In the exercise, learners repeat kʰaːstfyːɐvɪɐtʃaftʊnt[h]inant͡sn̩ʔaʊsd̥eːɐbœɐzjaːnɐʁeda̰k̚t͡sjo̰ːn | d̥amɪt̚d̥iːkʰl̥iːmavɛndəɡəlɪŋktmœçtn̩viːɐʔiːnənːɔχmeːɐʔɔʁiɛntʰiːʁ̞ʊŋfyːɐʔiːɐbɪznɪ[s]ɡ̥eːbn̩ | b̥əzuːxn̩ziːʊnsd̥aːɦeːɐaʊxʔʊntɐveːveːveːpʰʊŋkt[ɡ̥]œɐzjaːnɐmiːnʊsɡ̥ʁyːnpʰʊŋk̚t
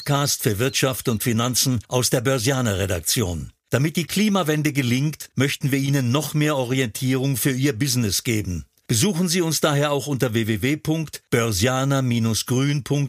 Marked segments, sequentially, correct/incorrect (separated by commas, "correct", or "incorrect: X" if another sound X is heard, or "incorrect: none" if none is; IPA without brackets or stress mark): incorrect: f, correct, incorrect: b̥